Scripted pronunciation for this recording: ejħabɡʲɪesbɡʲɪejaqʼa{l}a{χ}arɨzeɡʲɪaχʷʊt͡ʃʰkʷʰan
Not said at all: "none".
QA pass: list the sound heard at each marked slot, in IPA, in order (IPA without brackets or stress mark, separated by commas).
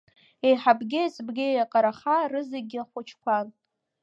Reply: ɾ, χ